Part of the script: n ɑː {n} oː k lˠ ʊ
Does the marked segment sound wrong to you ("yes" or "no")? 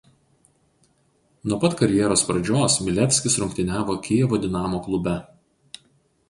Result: yes